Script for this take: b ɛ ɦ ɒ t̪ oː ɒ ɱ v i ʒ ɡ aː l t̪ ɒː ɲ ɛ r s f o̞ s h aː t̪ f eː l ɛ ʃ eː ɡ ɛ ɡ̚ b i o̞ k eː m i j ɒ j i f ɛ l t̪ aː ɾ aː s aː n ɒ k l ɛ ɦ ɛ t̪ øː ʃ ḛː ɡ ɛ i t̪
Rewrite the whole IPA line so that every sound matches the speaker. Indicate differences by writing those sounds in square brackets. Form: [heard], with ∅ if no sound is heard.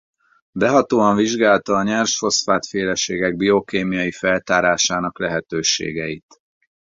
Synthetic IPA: b ɛ ɦ ɒ t̪ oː ɒ ɱ v i ʒ ɡ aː l t̪ ɒː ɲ ɛ r [ʃ] f o̞ s [f] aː t̪ f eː l ɛ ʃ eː ɡ ɛ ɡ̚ b i o̞ k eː m i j ɒ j i f ɛ l t̪ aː ɾ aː [ʃ] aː n ɒ k l ɛ ɦ ɛ t̪ øː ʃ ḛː ɡ ɛ i t̪